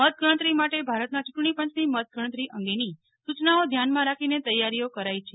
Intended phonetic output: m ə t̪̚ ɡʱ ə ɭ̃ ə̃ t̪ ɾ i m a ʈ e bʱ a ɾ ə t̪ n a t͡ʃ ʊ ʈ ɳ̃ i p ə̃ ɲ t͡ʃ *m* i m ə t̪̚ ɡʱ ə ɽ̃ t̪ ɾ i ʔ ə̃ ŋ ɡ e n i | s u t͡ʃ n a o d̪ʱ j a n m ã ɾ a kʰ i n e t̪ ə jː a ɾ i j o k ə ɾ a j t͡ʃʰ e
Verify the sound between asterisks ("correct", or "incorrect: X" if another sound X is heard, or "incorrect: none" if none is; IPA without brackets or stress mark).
incorrect: n